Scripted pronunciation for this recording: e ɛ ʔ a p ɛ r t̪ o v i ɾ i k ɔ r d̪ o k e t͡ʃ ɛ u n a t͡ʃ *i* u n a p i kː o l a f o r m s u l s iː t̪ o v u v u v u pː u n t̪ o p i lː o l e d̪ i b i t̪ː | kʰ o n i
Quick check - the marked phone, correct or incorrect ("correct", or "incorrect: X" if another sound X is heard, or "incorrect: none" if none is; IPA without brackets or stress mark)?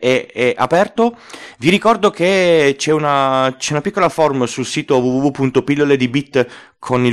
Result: incorrect: ɛ